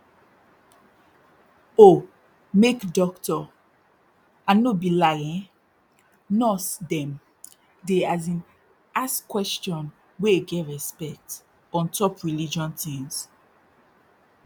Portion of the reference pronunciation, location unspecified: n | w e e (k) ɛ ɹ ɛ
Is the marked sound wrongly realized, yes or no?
yes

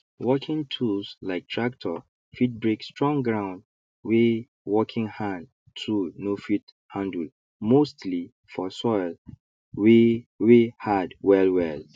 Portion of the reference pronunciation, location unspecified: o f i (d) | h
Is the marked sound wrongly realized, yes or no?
yes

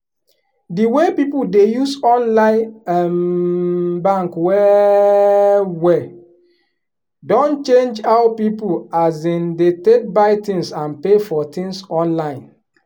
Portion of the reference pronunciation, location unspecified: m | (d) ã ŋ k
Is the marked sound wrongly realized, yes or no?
yes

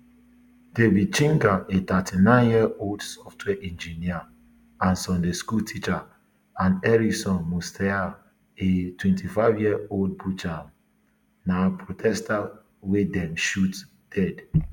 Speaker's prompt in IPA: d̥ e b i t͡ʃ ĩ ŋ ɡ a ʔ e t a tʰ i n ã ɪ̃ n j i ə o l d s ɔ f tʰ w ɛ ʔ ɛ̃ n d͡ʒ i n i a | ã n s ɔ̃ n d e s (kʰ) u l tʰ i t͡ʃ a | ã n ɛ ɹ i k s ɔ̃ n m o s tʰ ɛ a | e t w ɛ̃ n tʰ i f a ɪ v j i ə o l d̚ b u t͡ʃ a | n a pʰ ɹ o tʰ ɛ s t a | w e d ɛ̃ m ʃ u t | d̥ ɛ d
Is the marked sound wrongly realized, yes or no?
yes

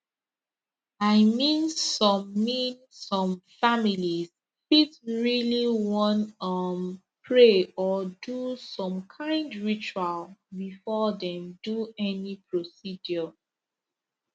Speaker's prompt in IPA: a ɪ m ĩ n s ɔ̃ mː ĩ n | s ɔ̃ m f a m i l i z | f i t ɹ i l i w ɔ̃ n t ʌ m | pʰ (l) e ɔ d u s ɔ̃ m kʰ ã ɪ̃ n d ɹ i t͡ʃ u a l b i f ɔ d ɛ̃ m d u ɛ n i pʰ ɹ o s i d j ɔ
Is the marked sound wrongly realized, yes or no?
yes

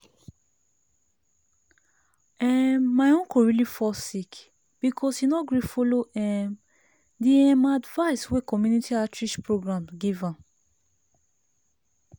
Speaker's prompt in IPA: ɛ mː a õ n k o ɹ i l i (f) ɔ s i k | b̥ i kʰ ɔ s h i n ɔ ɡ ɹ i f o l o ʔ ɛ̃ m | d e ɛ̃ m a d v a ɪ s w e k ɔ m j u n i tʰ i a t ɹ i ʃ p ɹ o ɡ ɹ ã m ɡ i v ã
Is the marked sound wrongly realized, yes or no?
no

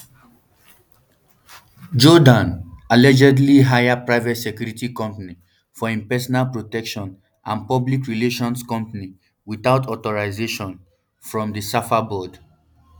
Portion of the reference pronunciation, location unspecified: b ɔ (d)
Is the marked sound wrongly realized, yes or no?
no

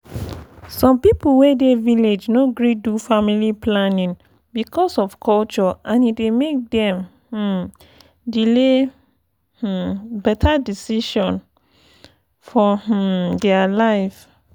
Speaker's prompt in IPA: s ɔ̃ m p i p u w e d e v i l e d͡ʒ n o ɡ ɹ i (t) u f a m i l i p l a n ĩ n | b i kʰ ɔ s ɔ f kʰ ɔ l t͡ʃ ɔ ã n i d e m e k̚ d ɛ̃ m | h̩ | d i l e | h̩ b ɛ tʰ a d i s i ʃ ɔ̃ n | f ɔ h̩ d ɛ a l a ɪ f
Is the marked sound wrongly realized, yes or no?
yes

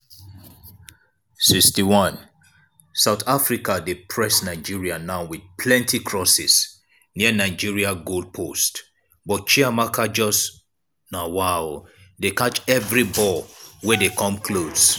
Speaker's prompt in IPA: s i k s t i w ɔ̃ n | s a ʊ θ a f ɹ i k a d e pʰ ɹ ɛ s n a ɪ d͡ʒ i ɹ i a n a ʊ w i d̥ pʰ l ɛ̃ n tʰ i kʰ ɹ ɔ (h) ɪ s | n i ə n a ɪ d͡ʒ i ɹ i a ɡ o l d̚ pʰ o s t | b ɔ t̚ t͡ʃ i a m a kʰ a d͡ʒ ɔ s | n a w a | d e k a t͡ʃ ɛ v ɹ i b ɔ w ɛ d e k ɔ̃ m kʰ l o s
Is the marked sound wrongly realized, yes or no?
yes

